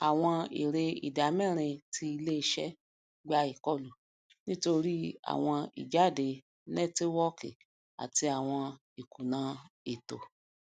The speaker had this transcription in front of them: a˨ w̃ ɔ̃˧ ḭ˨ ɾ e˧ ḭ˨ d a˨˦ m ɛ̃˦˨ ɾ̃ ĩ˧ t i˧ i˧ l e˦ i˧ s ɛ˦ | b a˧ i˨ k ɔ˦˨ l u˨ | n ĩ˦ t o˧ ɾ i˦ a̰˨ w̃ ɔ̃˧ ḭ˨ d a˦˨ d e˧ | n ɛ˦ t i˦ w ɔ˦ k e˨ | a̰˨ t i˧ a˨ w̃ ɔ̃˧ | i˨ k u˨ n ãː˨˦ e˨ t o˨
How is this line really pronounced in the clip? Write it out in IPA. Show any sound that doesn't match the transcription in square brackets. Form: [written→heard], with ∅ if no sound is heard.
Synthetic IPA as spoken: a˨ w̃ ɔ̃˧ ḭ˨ ɾ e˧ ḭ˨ d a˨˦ m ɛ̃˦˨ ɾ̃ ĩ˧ t i˧ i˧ l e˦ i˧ [s→ʃ] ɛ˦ | [b→ɡ͡b] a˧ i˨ k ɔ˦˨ l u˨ | n ĩ˦ t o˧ ɾ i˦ a̰˨ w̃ ɔ̃˧ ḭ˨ [d→d͡ʒ] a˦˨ d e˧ | n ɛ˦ t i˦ w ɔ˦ k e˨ | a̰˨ t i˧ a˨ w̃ ɔ̃˧ | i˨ k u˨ n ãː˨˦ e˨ t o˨